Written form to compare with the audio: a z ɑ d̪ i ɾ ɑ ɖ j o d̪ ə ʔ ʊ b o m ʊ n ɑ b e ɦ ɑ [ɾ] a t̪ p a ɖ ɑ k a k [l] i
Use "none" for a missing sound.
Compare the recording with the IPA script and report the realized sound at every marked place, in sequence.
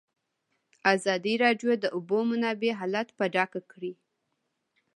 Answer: l, ɽ

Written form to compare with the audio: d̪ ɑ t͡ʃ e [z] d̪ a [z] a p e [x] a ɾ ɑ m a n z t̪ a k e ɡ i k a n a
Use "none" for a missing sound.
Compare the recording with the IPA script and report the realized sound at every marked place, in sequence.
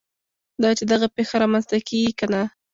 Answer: none, ɣ, x

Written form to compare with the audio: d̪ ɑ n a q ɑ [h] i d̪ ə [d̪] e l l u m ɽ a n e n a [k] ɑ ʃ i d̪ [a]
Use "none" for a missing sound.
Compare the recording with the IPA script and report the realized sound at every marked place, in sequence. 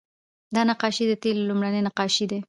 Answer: ʃ, t̪, q, e

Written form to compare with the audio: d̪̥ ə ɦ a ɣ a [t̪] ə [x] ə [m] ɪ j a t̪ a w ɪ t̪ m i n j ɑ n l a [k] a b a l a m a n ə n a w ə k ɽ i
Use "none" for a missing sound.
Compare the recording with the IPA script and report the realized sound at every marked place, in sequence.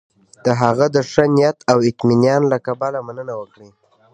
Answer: d̪, ʂ, n, k

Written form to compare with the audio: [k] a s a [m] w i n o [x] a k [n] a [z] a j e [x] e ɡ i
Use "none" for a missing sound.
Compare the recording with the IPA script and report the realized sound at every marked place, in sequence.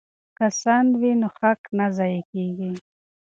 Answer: k, n, x, n, z, k

